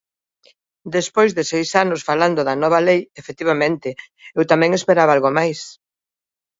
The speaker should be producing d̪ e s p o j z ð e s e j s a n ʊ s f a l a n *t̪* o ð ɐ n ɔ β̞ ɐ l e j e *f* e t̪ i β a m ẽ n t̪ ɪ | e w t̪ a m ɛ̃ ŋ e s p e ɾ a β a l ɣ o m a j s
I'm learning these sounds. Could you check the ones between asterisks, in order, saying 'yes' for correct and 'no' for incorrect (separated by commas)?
no, yes